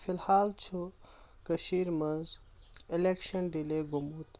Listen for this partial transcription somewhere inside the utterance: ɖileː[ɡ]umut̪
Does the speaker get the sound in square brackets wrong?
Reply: no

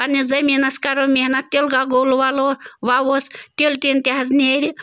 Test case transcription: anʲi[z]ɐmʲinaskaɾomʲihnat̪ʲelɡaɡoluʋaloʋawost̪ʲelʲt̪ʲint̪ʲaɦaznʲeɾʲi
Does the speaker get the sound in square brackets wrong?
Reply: no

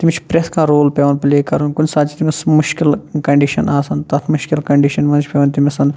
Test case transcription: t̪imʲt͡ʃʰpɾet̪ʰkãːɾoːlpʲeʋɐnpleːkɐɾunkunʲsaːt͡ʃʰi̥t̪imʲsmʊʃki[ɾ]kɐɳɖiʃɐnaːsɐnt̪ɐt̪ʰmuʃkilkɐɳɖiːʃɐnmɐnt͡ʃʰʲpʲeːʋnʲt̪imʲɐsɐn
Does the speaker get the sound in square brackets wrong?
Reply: yes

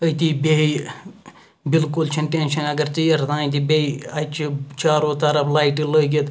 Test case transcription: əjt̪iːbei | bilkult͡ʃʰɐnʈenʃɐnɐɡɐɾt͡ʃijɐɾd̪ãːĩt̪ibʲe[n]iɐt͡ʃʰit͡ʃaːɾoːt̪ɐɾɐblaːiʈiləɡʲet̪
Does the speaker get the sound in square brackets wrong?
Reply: yes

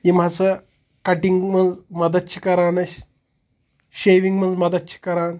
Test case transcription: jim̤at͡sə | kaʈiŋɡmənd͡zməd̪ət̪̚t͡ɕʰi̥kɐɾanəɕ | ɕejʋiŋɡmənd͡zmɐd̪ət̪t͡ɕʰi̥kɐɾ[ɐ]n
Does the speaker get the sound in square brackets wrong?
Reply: yes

